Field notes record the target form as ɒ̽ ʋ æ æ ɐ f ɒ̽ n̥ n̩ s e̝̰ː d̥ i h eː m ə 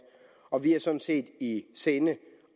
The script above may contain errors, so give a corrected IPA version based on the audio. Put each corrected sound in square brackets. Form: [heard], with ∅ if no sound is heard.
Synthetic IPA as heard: ɒ̽ ʋ [i] æ ɐ [s] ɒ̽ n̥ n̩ s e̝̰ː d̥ i [s] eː [n] ə